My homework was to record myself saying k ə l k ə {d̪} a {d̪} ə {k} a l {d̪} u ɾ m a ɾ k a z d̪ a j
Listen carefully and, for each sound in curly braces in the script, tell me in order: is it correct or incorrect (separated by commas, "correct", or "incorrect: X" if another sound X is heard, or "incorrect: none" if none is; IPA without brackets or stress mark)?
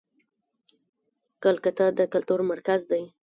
incorrect: t̪, correct, correct, incorrect: t̪